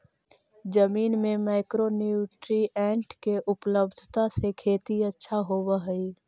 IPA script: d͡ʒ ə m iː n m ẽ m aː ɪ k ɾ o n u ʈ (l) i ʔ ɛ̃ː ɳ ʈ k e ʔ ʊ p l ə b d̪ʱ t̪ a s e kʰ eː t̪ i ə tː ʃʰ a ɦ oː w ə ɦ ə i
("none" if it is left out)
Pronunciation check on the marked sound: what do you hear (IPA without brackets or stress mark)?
ɾ